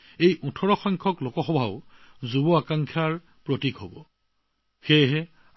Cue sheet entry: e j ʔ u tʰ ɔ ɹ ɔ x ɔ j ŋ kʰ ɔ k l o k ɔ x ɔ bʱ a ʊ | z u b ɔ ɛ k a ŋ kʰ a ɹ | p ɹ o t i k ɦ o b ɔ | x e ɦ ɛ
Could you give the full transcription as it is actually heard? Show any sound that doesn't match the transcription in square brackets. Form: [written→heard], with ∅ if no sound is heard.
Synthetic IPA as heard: e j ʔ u tʰ ɔ ɹ ɔ x ɔ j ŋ kʰ ɔ k l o k ɔ x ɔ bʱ a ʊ | z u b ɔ [ɛ→a] k a ŋ kʰ a ɹ | p ɹ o t i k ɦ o b ɔ | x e ɦ ɛ